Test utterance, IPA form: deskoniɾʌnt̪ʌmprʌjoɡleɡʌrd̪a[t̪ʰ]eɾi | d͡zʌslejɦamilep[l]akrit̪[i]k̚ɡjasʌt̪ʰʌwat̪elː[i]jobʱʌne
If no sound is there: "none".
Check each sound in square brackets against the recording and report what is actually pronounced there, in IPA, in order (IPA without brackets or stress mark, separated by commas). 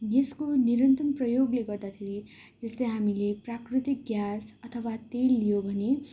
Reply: t̪ʰ, r, i, i